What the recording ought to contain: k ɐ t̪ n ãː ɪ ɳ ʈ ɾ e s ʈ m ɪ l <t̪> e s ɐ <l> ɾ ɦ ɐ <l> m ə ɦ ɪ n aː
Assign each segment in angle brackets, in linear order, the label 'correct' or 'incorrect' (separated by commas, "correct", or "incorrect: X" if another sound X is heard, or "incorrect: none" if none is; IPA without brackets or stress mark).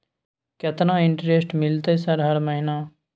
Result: correct, incorrect: none, incorrect: ɾ